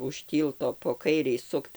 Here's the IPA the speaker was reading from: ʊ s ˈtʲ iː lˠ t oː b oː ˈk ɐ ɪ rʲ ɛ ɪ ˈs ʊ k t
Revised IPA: ʊ ʃ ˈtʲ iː lˠ t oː p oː ˈk ɐ ɪ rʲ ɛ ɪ ˈs ʊ k t